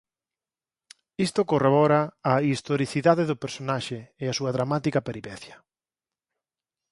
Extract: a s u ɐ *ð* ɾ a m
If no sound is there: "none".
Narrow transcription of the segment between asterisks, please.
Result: ð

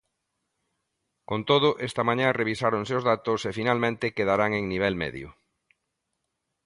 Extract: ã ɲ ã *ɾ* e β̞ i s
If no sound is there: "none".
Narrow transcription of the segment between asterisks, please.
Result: r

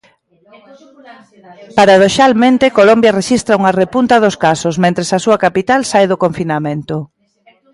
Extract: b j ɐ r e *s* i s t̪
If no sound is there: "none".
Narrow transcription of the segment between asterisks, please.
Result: ʃ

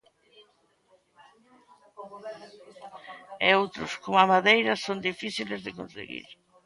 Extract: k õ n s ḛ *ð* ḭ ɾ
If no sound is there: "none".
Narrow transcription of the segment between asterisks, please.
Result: ɣ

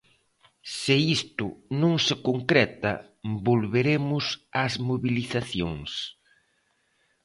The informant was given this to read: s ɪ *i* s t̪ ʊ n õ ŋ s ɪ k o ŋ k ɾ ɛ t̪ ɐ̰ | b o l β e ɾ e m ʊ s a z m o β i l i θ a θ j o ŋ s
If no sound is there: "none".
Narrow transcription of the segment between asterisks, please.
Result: i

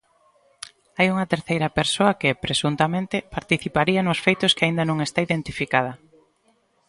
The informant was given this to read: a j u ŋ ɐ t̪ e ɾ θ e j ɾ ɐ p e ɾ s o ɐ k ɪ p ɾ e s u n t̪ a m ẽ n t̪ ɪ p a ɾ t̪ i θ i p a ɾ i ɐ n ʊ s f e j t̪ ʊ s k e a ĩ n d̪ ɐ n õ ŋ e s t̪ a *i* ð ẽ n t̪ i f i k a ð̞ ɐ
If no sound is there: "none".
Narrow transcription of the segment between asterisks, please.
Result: i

